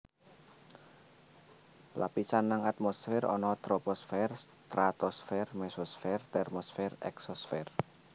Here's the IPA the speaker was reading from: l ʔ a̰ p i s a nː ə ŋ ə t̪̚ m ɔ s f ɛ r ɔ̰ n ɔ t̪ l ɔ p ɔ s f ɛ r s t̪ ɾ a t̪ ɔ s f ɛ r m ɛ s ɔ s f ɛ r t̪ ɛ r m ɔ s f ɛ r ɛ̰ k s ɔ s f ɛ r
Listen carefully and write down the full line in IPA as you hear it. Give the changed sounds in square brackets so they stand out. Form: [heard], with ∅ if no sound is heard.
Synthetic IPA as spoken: l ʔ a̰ p i s a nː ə ŋ [a] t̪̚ m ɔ s f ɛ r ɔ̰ n ɔ t̪ [ɾ] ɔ p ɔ s f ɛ r s t̪ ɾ a t̪ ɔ s f ɛ r m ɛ s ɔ s f ɛ r t̪ ɛ r m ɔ s f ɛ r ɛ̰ k s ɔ s f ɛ r